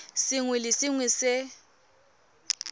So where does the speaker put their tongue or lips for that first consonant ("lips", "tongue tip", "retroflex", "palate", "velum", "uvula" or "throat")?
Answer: tongue tip